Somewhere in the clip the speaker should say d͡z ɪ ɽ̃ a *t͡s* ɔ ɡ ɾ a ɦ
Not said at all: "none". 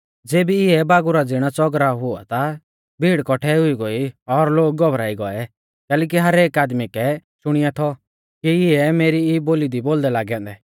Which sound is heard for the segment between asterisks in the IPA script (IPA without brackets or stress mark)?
t͡s